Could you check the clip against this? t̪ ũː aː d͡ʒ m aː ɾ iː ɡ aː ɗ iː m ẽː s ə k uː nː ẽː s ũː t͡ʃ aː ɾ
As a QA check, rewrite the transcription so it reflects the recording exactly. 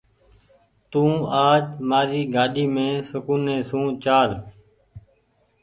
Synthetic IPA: t̪ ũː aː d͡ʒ m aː ɾ iː ɡ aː ɗ iː m ẽː s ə k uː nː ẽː s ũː t͡ʃ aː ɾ